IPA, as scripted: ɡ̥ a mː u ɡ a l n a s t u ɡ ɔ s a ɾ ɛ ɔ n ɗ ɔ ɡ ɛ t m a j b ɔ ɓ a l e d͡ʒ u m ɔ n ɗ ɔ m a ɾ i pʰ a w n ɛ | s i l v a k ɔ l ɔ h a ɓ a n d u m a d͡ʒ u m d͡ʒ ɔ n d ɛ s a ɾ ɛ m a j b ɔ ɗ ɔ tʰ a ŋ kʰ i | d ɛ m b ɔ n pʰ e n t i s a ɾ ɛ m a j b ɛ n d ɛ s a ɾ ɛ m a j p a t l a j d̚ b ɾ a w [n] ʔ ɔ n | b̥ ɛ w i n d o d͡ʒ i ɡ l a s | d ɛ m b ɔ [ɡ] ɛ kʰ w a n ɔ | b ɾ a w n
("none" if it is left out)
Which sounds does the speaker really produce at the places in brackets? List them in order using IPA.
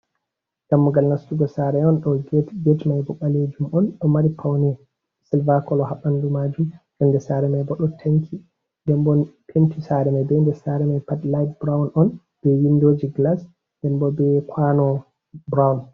n, b

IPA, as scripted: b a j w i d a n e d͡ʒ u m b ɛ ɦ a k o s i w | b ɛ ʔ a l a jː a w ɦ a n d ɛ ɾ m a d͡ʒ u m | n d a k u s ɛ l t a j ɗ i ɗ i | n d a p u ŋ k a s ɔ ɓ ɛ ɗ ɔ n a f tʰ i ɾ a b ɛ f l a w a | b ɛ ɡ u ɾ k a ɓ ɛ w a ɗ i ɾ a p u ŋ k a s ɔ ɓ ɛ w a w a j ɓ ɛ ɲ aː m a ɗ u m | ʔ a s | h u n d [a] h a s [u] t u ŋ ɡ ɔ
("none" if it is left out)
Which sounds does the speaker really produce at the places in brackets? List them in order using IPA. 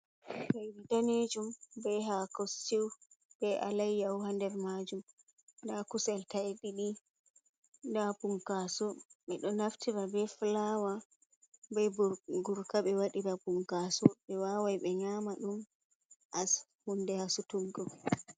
ɛ, u

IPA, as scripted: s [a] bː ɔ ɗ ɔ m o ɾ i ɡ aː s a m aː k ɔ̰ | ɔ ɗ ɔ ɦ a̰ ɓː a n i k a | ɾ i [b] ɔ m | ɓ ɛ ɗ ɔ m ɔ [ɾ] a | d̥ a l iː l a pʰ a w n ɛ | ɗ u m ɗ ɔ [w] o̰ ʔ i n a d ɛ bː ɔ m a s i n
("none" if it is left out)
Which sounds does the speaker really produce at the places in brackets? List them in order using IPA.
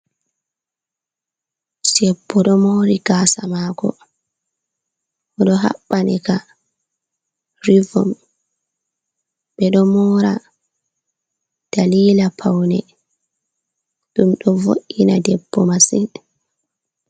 ɛ, v, ɾ, v

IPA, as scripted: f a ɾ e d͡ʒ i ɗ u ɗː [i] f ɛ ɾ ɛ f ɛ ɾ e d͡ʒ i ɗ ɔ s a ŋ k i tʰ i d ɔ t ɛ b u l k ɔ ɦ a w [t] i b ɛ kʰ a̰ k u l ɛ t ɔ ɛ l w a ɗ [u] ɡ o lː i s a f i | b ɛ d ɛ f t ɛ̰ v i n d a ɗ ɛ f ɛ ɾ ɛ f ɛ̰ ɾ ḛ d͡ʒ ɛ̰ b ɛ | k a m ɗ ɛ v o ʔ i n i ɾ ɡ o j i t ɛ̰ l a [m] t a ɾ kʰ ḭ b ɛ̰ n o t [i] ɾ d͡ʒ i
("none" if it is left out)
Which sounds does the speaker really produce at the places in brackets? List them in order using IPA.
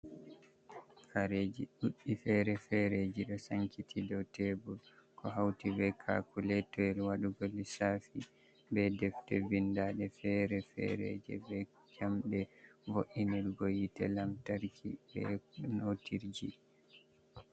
i, t, u, m, i

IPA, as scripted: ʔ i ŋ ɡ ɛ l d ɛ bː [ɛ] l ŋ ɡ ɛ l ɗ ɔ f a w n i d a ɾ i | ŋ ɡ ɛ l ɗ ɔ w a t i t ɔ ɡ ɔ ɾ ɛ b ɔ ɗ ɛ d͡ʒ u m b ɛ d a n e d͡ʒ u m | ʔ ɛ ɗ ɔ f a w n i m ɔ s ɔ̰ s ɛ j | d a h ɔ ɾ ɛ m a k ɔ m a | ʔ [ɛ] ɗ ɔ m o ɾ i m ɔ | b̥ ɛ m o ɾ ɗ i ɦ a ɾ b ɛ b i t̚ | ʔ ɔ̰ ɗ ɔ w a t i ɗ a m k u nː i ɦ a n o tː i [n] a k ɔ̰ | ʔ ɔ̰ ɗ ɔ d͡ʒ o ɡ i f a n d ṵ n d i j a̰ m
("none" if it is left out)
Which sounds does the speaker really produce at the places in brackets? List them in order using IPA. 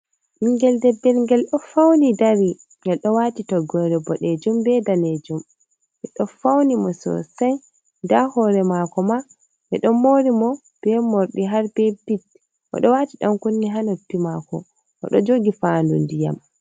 ɛ, ɛ, m

